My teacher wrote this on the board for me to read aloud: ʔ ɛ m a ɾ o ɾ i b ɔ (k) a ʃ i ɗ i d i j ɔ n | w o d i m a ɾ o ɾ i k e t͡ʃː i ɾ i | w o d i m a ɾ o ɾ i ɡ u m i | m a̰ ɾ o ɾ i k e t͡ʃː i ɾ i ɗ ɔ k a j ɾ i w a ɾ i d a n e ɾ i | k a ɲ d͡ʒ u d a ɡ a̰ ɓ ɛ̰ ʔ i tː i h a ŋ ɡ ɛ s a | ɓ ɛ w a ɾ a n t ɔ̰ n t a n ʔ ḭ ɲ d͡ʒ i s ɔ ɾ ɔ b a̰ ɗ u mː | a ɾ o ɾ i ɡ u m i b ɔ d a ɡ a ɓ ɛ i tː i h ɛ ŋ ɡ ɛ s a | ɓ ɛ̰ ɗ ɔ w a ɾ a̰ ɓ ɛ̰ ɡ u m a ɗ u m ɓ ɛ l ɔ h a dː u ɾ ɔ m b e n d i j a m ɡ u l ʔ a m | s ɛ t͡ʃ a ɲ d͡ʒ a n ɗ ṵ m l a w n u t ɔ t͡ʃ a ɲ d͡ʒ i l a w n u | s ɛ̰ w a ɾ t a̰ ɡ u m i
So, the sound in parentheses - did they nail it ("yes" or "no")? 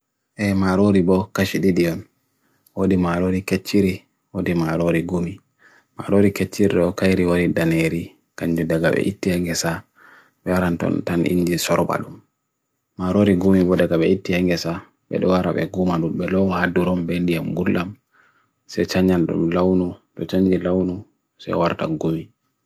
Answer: yes